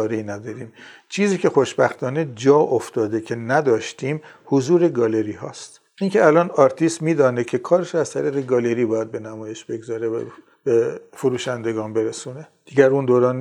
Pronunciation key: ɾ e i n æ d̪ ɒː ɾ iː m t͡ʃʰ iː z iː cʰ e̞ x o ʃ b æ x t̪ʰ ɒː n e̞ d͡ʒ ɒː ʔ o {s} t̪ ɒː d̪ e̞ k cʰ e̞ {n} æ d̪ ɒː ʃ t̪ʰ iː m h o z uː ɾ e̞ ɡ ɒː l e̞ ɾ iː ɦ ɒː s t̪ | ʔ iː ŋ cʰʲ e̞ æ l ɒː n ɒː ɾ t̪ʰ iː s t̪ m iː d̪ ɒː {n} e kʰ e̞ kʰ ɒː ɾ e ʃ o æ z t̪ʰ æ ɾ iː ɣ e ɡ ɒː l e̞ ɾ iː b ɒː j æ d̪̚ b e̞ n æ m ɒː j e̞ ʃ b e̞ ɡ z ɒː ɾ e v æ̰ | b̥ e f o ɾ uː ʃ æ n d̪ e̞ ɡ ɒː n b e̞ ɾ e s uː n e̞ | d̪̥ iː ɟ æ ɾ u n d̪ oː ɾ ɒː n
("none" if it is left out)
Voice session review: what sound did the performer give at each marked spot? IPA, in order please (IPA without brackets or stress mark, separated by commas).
f, n, n